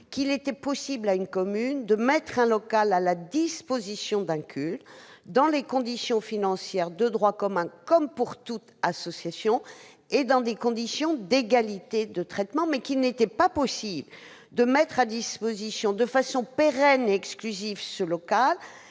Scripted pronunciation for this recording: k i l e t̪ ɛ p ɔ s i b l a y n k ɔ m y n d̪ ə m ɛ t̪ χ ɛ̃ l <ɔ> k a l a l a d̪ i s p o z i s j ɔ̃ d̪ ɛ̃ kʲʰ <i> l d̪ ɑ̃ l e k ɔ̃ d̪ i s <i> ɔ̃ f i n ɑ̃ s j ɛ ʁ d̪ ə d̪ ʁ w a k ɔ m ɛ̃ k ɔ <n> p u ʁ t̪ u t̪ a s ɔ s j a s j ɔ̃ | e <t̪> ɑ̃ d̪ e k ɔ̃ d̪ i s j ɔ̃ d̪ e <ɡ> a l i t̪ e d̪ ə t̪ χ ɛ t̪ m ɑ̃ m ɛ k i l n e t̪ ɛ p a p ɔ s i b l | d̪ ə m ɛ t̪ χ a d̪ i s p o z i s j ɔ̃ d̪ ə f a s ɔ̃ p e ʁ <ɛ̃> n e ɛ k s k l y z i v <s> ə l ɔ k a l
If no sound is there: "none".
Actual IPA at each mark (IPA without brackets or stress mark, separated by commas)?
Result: ɔ, y, j, m, d̪, ɡ, ɛ, s